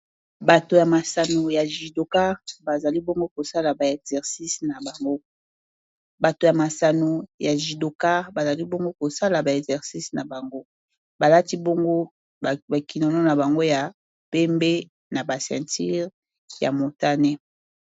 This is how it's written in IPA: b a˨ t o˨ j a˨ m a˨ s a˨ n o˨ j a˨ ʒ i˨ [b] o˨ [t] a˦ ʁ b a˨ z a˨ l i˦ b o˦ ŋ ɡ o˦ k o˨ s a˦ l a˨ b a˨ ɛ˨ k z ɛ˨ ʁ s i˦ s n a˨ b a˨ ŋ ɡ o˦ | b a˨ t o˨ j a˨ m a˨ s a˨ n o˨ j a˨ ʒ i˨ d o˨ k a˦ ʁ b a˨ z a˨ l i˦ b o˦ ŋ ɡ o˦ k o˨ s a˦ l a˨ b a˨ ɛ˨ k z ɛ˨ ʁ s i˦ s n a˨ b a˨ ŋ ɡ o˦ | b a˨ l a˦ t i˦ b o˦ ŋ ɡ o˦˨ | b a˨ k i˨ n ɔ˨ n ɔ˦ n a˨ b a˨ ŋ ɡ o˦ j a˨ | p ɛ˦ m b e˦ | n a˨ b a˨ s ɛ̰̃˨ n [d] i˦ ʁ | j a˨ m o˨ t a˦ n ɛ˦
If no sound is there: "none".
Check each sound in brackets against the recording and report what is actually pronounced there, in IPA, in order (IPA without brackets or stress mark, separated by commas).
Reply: d, k, t